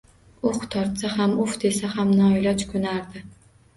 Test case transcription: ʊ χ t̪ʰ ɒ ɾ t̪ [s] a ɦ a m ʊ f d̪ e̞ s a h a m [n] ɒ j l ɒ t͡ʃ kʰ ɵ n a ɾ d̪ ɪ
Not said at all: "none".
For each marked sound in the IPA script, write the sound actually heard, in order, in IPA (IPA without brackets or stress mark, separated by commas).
s, n